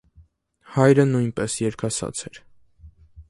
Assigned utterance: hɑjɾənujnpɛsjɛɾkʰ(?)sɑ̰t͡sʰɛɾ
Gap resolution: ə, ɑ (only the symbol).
ɑ